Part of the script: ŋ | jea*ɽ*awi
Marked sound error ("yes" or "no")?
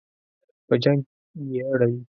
no